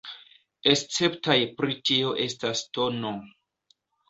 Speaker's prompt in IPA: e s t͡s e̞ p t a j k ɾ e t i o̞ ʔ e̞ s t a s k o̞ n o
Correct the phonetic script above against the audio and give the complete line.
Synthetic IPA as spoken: e s t͡s e̞ p t a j p ɾ i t i o̞ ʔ e̞ s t a s t o̞ n o